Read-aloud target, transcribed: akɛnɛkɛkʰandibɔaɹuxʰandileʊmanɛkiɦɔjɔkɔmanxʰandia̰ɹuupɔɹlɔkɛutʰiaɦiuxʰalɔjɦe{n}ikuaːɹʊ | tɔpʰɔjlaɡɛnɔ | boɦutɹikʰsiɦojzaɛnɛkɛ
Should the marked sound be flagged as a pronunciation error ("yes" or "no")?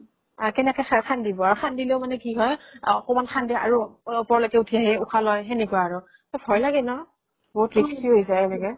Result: no